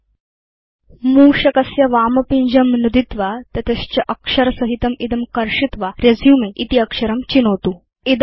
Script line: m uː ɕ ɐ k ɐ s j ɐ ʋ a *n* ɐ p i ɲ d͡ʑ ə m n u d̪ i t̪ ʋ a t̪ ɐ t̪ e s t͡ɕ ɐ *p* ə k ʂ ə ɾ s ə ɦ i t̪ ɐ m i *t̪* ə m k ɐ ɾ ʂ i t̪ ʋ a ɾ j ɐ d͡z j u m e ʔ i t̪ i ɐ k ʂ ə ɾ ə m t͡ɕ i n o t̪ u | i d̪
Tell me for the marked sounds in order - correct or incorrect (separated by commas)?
incorrect, incorrect, incorrect